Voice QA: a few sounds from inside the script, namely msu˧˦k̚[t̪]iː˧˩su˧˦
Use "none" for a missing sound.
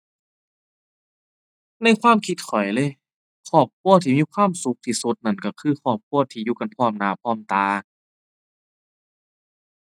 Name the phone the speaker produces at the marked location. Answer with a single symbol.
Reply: t̪ʰ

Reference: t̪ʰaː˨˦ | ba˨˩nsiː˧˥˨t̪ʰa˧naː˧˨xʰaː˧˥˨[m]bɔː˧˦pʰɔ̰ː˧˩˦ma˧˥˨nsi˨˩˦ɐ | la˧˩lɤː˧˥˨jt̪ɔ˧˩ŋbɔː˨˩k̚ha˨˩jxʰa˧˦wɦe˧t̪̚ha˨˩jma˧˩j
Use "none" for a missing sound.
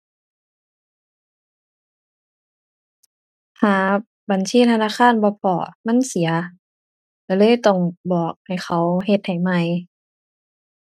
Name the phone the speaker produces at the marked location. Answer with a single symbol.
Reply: n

